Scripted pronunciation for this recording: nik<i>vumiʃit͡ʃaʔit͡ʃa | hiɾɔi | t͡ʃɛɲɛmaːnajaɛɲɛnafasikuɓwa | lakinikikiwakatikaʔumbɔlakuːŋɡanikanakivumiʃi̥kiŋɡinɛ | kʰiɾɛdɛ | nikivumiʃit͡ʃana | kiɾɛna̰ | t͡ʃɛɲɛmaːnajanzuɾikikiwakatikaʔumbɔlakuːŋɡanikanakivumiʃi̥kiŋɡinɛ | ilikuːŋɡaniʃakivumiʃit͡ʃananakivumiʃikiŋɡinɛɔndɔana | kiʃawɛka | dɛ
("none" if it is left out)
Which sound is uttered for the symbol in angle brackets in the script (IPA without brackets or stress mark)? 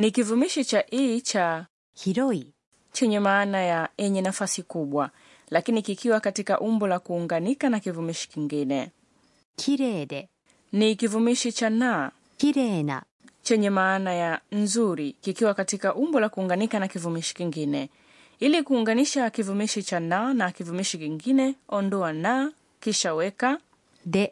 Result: i